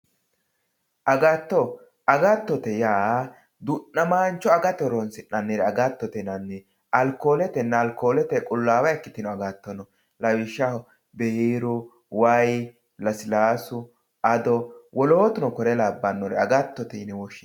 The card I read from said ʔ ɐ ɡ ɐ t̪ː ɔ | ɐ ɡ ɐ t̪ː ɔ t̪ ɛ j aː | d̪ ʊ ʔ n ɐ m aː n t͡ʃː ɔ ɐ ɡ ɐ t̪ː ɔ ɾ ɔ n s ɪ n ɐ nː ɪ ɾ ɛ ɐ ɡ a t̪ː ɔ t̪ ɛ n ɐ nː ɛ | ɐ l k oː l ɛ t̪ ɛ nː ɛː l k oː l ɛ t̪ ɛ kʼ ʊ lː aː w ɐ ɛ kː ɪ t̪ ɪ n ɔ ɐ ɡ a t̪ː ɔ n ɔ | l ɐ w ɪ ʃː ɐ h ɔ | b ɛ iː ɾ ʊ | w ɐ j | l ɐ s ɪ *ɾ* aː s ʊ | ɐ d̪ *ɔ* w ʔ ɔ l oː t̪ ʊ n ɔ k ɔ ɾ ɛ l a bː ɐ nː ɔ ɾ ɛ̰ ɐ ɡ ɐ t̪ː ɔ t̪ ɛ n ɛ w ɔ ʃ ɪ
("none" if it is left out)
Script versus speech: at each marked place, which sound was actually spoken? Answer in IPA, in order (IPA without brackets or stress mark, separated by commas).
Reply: l, ɔ